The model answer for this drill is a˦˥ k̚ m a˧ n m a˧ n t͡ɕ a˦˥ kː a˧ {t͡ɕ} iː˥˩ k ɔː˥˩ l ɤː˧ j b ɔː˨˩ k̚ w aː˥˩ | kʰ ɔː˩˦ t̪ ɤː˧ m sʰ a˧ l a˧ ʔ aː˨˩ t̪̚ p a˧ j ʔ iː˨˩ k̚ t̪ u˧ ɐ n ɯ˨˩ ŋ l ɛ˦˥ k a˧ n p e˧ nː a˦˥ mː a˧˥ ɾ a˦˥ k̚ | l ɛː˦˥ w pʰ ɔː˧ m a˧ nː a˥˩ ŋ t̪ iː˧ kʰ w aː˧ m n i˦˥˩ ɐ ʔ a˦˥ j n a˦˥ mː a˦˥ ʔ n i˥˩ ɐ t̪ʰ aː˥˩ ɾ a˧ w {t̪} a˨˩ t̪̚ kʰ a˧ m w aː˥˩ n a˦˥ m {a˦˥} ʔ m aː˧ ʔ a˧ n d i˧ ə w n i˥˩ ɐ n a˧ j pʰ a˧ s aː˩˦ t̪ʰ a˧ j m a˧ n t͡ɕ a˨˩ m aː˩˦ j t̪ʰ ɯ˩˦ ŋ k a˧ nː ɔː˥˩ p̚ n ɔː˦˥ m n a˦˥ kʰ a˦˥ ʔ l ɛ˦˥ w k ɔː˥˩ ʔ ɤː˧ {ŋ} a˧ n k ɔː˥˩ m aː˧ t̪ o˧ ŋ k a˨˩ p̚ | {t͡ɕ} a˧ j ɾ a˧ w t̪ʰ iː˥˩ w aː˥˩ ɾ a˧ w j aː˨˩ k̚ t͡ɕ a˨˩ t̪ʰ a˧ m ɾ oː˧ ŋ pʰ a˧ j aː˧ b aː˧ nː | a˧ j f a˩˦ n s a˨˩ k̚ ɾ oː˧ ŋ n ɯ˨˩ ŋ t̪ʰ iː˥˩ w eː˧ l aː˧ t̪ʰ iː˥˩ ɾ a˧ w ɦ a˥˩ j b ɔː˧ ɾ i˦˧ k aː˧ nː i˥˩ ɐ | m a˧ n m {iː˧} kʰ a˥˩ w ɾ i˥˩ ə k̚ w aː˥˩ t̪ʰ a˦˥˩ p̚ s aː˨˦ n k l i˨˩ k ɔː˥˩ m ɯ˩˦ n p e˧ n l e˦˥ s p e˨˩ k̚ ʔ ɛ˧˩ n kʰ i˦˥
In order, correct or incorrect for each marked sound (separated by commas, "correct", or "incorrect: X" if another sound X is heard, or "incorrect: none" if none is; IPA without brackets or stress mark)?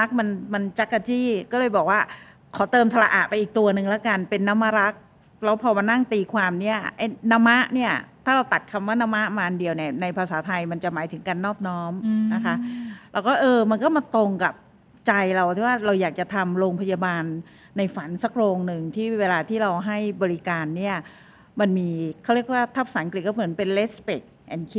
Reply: correct, correct, correct, incorrect: m, correct, correct